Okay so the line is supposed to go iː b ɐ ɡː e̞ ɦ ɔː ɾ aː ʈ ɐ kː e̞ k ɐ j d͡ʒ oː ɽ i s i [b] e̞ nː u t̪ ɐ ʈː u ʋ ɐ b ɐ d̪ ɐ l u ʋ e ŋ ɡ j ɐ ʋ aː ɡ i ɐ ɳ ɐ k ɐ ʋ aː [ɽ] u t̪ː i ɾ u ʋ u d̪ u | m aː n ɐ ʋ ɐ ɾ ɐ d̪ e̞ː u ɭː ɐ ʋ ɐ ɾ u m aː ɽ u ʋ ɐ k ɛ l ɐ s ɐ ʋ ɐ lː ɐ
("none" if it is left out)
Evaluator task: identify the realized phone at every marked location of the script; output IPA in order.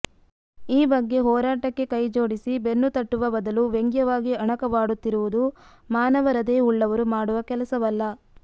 b, ɽ

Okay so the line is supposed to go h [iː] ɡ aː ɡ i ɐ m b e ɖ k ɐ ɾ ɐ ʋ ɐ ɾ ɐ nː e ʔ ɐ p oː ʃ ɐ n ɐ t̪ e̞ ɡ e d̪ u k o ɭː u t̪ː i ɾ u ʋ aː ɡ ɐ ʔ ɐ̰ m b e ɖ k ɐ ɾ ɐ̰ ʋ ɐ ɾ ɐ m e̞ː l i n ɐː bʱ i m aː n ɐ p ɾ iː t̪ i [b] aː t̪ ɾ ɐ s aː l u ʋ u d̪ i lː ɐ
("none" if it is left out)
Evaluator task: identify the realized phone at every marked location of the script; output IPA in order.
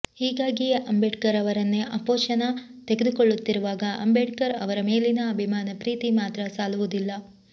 iː, m

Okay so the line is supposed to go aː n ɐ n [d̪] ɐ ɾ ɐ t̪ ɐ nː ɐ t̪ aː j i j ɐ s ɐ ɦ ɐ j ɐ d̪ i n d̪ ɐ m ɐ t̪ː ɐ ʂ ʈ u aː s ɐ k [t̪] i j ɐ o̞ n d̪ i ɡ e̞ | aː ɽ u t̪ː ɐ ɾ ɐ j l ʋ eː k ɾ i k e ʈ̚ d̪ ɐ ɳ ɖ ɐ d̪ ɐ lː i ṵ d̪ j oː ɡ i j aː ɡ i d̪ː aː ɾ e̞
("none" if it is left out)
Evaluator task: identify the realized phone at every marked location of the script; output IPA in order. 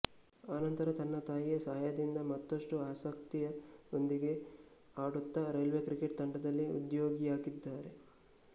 t̪, t̪

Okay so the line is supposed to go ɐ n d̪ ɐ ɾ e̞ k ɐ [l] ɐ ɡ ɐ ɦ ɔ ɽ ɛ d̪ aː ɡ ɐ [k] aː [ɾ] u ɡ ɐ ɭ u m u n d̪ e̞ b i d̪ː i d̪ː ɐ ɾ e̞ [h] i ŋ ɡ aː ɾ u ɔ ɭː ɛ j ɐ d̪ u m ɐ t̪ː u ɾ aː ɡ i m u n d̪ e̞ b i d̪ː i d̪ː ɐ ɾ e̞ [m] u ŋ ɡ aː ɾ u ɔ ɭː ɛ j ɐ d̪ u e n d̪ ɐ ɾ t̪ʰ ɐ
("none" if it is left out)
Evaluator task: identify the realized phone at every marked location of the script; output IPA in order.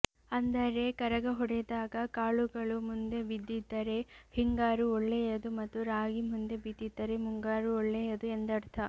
ɾ, k, ɭ, h, m

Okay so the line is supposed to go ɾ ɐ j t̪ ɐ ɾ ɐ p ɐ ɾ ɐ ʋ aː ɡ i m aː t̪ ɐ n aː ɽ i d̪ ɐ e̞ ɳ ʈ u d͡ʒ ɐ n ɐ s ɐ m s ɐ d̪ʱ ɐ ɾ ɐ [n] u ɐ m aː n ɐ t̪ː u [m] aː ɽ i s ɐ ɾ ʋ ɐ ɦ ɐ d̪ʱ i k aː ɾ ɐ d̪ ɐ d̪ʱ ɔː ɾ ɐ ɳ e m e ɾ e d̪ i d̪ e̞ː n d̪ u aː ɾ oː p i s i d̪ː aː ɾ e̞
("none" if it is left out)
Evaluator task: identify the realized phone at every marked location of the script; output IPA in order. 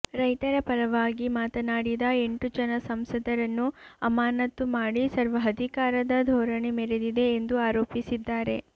nː, m

